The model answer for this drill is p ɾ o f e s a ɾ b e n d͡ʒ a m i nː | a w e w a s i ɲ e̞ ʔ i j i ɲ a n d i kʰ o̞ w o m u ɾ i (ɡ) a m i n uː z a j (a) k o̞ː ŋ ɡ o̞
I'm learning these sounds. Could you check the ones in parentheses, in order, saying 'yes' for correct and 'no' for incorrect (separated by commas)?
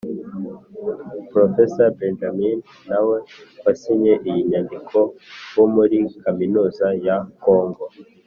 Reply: no, yes